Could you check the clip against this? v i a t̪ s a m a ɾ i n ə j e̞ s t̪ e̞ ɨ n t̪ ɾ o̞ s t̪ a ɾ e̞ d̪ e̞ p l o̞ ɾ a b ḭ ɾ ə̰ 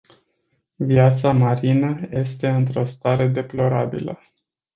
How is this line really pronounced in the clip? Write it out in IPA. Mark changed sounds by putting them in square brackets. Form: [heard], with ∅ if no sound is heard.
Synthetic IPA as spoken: v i a t̪ s a m a ɾ i n ə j e̞ s t̪ e̞ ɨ n t̪ ɾ o̞ s t̪ a ɾ e̞ d̪ e̞ p l o̞ ɾ a b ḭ [l] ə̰